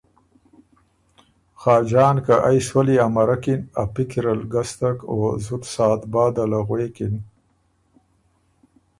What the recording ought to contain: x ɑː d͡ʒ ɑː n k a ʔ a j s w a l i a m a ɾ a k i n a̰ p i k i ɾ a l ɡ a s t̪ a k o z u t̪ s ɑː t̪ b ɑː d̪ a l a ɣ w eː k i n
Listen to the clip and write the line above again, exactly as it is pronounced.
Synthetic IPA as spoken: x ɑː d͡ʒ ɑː n k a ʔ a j s w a l i a m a ɾ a k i n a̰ p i k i ɾ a l ɡ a s t̪ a k o z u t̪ s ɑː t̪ b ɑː d̪ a l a ɣ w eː k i n